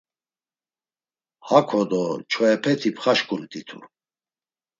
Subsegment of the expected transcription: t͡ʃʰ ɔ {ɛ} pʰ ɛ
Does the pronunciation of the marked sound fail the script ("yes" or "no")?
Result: no